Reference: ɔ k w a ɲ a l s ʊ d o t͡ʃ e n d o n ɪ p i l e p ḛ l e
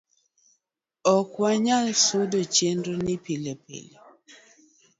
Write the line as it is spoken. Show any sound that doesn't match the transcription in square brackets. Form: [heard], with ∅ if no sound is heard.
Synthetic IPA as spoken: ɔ k w a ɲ a l s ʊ d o t͡ʃ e n d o n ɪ p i l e p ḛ l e